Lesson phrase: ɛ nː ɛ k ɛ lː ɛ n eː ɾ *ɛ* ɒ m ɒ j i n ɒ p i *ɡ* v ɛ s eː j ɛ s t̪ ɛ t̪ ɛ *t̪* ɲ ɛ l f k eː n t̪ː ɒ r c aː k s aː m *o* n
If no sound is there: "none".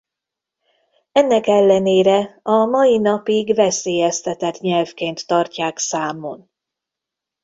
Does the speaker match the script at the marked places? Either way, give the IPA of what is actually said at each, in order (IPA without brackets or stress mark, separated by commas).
ɛ, ɡ, t̪, o